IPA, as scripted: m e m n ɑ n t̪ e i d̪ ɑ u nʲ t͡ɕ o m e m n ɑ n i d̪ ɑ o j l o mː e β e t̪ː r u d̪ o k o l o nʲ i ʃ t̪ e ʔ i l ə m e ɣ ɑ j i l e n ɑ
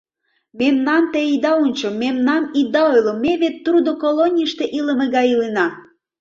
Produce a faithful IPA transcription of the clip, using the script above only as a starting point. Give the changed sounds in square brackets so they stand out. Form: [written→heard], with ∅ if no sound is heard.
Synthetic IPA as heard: m e m n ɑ n t̪ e i d̪ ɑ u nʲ t͡ɕ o m e m n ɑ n i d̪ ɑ o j l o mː e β e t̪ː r u d̪ o k o l o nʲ i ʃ t̪ e ʔ i l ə m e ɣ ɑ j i l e n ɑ